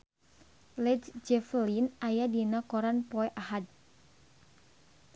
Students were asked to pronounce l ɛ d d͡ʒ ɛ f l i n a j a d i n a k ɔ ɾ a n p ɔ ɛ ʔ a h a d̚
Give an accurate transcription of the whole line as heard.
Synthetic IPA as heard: l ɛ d d͡ʒ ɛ f l i n a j a d i n a k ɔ ɾ a n p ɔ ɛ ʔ a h a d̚